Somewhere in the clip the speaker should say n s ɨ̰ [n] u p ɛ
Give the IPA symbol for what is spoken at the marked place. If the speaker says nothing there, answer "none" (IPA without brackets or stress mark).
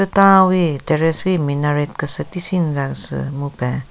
m